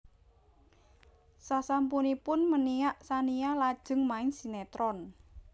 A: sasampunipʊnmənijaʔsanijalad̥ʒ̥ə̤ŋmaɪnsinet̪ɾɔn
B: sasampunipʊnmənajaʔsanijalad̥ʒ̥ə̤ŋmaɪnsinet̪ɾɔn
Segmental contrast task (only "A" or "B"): A